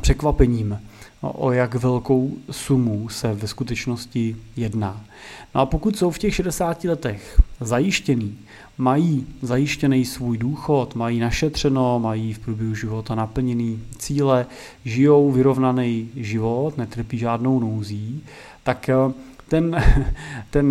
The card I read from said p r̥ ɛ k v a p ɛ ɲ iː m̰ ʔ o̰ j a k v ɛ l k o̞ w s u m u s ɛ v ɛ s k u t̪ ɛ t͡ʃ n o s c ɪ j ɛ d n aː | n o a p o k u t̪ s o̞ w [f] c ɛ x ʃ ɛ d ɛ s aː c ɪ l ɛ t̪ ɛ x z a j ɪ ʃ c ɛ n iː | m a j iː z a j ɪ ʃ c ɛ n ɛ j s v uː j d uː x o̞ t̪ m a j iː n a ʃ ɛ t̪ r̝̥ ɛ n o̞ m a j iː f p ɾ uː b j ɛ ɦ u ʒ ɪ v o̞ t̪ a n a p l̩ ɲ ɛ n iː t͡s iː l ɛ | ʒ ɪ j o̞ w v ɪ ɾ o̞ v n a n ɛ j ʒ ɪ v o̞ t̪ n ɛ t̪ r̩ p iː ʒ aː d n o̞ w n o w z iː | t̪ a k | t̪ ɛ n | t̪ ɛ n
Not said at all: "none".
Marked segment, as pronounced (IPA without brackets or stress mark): f